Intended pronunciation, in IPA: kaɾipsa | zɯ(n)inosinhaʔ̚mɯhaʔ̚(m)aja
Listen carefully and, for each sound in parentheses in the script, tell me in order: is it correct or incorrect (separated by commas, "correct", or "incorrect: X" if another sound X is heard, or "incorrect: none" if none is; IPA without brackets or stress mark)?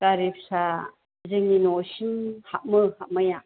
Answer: incorrect: ŋ, correct